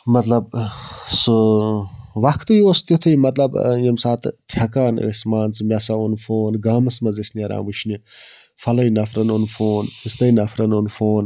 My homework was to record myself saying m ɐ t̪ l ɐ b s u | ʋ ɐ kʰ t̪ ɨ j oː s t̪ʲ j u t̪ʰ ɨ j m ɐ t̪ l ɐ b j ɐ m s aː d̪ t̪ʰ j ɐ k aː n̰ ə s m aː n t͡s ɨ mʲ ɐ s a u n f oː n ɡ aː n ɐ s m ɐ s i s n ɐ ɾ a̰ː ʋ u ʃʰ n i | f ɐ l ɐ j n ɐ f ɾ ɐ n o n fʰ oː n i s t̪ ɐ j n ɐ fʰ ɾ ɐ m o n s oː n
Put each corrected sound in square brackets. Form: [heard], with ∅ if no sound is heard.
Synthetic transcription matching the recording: m ɐ t̪ l ɐ b s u | ʋ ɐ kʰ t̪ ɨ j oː s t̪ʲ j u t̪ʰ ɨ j m ɐ t̪ l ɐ b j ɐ m s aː [t̪] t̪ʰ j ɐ k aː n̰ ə s m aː n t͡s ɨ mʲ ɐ s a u n f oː n ɡ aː [m] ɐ s m ɐ [z] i s n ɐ ɾ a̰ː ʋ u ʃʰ n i | f ɐ l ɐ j n ɐ f ɾ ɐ n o n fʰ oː n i s t̪ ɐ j n ɐ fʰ ɾ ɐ [n] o n [f] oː n

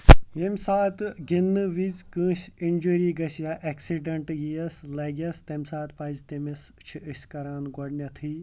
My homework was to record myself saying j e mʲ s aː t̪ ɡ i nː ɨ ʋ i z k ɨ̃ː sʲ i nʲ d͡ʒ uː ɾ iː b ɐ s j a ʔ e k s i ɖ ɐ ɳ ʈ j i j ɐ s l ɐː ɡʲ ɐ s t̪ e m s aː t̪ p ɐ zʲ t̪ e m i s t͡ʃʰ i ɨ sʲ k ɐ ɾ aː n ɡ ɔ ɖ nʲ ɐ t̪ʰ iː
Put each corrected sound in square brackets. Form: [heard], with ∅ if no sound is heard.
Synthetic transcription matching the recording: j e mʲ s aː t̪ ɡ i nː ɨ ʋ i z k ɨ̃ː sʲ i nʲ d͡ʒ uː ɾ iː [ɡ] ɐ s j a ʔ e k s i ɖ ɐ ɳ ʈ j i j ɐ s l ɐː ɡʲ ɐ s t̪ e m s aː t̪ p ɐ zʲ t̪ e m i s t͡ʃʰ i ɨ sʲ k ɐ ɾ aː n ɡ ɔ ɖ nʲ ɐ t̪ʰ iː

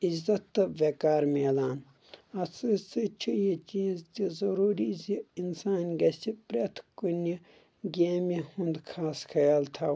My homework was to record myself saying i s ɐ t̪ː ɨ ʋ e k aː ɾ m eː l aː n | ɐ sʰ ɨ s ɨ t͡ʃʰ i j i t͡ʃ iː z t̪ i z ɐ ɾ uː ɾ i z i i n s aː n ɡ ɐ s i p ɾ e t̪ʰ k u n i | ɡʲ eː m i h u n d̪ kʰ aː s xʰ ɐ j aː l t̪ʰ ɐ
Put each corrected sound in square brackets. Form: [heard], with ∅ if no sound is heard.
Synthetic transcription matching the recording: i [z] ɐ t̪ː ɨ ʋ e k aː ɾ m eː l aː n | ɐ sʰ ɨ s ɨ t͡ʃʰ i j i t͡ʃ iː z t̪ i z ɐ ɾ uː ɾ i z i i n s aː n ɡ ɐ s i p ɾ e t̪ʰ k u n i | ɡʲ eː m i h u n d̪ kʰ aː s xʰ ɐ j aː l t̪ʰ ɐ

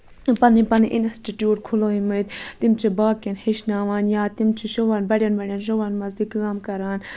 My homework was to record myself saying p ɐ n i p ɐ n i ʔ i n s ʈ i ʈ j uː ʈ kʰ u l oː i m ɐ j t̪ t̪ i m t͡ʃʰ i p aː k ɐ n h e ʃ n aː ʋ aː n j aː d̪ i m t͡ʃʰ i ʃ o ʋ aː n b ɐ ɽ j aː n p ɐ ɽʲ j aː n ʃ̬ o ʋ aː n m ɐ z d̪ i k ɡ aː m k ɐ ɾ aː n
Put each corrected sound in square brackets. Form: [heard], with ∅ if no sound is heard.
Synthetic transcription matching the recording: p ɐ n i p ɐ n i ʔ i n s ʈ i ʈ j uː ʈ kʰ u l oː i m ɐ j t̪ t̪ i m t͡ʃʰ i [b] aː k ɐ n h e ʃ n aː ʋ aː n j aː [t̪] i m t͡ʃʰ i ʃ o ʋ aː n b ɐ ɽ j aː n [b] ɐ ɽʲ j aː n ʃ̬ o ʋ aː n m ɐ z d̪ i k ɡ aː m k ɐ ɾ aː n

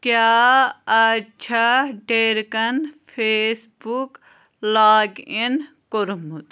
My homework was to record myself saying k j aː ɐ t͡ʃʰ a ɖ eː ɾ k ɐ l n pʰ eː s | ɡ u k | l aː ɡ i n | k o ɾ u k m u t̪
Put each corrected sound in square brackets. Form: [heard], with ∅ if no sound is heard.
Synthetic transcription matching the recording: k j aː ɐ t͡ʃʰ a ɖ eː ɾ k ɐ [∅] n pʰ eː s | [b] u k | l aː ɡ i n | k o ɾ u [∅] m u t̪

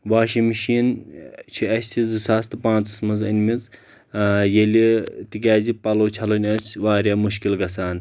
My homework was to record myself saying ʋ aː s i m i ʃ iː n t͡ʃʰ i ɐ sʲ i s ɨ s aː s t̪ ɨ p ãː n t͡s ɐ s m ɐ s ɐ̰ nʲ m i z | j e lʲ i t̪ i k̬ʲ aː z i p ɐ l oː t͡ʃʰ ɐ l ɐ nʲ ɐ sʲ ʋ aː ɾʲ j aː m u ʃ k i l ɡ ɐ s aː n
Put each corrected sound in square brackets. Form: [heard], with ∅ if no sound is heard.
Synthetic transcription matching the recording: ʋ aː [ʃ] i m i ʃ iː n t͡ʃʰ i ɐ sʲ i [z] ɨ s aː s t̪ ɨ p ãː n t͡s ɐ s m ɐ [z] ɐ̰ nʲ m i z | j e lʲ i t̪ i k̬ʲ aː z i p ɐ l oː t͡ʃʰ ɐ l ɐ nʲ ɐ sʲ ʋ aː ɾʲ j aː m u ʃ k i l ɡ ɐ s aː n

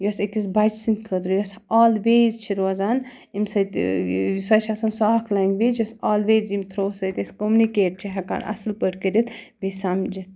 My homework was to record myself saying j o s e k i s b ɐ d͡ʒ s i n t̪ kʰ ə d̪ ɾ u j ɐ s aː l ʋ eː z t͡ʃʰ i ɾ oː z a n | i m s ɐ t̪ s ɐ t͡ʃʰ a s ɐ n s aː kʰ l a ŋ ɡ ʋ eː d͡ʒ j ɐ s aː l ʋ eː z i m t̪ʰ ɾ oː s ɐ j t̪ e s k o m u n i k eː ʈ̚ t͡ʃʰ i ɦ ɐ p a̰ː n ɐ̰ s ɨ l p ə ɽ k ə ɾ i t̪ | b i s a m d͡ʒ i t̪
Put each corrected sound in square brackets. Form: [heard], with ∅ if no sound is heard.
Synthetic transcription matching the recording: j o s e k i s b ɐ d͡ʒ s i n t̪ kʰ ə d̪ ɾ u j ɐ s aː l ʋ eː z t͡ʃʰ i ɾ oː z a n | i m s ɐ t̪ s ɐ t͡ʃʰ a s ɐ n s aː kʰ l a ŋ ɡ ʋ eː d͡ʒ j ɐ s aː l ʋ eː z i m t̪ʰ ɾ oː s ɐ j t̪ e s k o m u n i k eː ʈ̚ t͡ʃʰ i ɦ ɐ [k] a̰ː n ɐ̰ s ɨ l p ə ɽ k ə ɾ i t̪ | b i s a m d͡ʒ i t̪

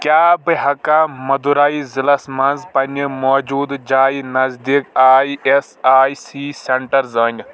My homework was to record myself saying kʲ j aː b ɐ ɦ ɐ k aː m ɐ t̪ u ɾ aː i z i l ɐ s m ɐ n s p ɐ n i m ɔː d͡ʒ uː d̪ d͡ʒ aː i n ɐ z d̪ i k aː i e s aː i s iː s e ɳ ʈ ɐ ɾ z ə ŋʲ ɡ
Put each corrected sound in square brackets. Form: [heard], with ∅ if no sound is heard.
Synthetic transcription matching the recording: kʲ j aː b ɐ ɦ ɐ k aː m ɐ [d̪] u ɾ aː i z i l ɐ s m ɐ n [z] p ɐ n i m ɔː d͡ʒ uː d̪ d͡ʒ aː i n ɐ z d̪ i k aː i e s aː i s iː s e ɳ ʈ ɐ ɾ z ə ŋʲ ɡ

